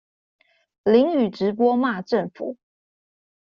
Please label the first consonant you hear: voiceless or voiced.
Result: voiced